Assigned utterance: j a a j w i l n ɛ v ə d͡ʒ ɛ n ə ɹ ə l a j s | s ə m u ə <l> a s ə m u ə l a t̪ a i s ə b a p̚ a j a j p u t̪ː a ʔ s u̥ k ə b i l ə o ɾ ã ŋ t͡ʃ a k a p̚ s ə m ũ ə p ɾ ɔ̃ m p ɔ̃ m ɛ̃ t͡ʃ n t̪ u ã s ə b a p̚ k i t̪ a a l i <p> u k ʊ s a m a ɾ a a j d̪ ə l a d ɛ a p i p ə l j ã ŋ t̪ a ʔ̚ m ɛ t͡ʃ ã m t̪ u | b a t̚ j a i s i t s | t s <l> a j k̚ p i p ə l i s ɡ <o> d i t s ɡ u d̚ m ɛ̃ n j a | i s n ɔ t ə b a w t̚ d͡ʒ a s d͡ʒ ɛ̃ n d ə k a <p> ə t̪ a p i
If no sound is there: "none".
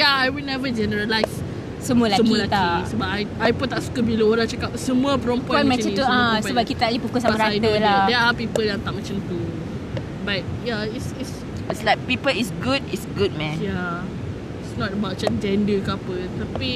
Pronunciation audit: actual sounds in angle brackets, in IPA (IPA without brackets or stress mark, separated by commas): l, p, l, u, p